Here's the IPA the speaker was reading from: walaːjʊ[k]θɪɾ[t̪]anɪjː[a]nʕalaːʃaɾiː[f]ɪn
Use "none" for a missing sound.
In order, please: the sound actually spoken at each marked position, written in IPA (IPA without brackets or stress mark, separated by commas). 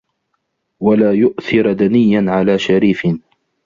ʔ, d̪, a, f